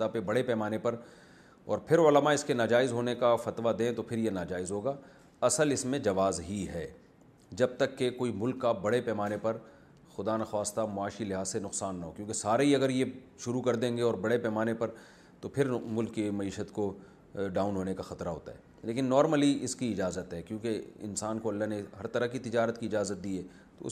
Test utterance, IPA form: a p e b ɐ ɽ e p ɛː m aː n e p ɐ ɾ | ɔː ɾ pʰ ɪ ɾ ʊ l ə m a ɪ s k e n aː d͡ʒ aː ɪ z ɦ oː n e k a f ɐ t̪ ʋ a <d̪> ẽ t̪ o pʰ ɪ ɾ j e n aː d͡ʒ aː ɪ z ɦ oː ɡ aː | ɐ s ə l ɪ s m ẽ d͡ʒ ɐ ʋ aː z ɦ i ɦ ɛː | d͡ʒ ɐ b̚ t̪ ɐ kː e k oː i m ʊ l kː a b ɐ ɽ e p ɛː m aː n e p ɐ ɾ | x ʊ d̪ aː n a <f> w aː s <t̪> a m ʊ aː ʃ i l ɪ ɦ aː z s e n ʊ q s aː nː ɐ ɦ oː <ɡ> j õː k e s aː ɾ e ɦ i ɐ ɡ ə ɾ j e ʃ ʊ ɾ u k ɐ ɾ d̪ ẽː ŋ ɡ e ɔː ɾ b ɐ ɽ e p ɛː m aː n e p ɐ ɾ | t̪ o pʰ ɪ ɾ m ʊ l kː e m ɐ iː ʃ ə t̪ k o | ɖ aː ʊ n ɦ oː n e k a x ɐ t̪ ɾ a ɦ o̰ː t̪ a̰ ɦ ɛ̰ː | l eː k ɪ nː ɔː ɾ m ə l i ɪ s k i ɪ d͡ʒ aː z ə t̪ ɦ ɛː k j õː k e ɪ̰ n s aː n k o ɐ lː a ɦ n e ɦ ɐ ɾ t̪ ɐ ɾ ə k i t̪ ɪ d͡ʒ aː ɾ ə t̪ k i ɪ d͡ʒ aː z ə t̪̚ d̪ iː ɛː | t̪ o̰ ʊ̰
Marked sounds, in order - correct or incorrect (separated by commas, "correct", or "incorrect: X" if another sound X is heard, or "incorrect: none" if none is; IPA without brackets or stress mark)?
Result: correct, incorrect: x, correct, incorrect: k